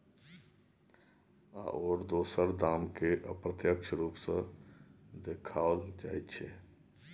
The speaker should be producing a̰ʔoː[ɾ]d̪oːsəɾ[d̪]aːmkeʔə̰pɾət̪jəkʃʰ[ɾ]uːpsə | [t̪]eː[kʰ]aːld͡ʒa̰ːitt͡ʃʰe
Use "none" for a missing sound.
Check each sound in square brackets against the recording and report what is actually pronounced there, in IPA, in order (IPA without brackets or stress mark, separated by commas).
ɾ, d̪, ɾ, d̪, kʰ